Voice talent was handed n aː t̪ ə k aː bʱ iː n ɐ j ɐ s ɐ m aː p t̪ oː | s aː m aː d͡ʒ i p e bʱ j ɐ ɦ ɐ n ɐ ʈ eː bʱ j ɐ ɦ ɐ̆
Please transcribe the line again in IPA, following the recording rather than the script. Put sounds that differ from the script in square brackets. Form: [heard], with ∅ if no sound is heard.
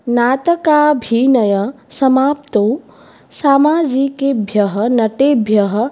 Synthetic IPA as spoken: n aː t̪ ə k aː bʱ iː n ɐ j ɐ s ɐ m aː p t̪ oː | s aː m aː d͡ʒ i [k] e bʱ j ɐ ɦ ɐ n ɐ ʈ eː bʱ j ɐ ɦ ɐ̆